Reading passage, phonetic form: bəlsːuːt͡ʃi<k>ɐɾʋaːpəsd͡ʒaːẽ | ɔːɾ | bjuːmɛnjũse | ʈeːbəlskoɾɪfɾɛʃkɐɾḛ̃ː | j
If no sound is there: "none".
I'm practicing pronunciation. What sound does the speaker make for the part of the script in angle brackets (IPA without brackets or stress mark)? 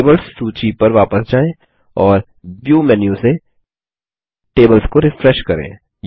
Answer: p